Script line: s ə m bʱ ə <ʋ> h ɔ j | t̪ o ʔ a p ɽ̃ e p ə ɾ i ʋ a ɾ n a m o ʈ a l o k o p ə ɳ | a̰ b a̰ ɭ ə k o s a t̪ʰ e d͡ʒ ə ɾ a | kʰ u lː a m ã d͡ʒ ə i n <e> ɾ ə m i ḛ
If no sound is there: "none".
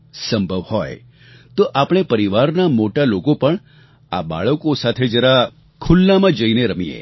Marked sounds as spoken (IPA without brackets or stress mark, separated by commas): ʋ, e